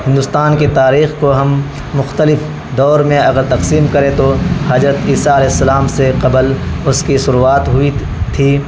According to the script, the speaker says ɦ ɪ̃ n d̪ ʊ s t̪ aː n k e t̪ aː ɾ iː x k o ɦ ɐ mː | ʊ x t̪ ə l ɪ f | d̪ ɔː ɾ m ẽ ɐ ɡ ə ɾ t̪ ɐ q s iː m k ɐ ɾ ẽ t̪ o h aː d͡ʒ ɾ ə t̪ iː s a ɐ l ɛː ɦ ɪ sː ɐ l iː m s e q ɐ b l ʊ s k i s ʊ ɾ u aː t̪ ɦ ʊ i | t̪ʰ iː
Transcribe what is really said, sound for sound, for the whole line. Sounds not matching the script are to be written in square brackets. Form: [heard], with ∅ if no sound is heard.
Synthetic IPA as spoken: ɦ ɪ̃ n d̪ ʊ s t̪ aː n k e t̪ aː ɾ iː x k o ɦ ɐ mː | ʊ x t̪ ə l ɪ f | d̪ ɔː ɾ m ẽ ɐ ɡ ə ɾ t̪ ɐ q s iː m k ɐ ɾ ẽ t̪ o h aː d͡ʒ ɾ ə t̪ iː s a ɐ l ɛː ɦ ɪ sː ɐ l [aː] m s e q ɐ b l ʊ s k i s ʊ ɾ u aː t̪ ɦ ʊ i | t̪ʰ iː